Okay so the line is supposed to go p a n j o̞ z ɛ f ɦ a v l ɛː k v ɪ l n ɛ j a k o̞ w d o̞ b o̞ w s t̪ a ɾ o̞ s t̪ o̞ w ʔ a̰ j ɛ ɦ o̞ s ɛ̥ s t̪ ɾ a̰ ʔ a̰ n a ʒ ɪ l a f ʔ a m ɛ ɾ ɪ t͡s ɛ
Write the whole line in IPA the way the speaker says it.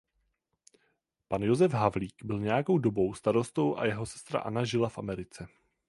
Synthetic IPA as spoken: p a n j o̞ z ɛ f ɦ a v l iː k b ɪ l ɲ ɛ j a k o̞ w d o̞ b o̞ w s t̪ a ɾ o̞ s t̪ o̞ w ʔ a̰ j ɛ ɦ o̞ s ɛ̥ s t̪ ɾ a̰ ʔ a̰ n a ʒ ɪ l a f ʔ a m ɛ ɾ ɪ t͡s ɛ